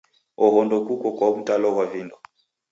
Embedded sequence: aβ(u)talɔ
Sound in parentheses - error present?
no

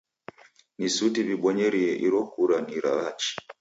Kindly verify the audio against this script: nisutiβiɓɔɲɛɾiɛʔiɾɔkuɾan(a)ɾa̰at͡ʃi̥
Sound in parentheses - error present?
yes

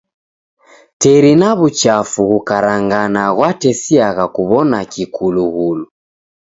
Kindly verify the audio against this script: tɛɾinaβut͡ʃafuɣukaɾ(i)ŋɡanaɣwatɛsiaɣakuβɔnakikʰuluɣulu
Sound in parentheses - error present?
yes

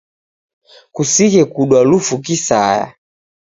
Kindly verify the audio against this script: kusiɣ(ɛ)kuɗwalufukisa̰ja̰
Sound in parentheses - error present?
no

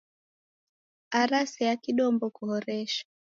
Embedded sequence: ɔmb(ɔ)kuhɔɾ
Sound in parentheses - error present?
no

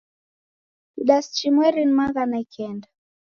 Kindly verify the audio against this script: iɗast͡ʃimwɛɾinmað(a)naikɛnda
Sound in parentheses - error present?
no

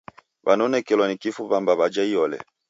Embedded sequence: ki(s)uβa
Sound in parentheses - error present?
yes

